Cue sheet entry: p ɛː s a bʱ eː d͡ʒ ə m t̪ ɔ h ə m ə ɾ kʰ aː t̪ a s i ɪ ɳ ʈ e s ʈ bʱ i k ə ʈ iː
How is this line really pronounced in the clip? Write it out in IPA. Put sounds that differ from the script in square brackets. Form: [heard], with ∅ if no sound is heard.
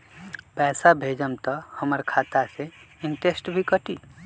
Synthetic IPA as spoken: p ɛː s a bʱ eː d͡ʒ ə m t̪ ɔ h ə m ə ɾ kʰ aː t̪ a s [e] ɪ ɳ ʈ e s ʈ bʱ i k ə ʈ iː